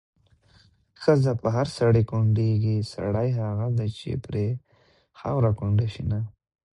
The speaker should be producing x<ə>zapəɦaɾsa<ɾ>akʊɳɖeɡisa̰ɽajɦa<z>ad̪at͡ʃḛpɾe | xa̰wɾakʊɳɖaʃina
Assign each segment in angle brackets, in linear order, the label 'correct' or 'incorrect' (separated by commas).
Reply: correct, incorrect, incorrect